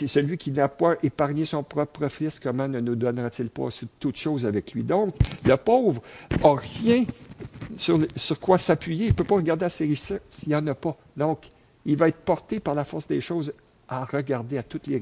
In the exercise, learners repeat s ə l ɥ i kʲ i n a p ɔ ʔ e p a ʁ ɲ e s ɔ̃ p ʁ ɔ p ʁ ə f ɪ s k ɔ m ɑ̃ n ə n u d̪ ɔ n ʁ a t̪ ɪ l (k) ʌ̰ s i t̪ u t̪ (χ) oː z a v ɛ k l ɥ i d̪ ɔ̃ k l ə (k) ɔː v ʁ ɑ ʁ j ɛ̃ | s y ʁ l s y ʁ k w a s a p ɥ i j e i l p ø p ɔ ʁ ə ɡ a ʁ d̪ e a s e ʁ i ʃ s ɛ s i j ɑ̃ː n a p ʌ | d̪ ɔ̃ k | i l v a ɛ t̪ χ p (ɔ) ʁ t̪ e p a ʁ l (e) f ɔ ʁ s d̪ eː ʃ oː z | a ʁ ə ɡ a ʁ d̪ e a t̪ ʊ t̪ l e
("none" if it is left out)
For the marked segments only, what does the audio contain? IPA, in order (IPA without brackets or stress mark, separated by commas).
p, ʃ, p, ɔ, a